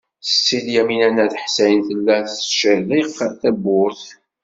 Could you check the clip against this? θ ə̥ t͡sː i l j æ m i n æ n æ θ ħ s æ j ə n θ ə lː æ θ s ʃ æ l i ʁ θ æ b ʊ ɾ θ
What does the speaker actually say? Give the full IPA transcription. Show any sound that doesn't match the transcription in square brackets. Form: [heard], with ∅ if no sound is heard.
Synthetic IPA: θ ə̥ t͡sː i l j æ m i n æ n æ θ ħ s æ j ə n θ ə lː æ θ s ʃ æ l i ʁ θ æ b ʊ ɾ θ